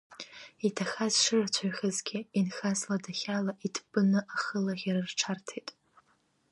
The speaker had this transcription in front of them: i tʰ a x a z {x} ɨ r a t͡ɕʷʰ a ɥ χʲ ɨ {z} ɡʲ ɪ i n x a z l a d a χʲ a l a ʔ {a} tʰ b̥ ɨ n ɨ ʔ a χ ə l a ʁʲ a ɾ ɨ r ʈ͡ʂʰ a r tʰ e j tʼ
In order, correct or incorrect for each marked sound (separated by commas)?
incorrect, correct, incorrect